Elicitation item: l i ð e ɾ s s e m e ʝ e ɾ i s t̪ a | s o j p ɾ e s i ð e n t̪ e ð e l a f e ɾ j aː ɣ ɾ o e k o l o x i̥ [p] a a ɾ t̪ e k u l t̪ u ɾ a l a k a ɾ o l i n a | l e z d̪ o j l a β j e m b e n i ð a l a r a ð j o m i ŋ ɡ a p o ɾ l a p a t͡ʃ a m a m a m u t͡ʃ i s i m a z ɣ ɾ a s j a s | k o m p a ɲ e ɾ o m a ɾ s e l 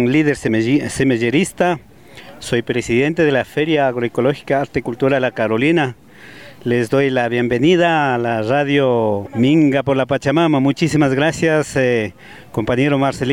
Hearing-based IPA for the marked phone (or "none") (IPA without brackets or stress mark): k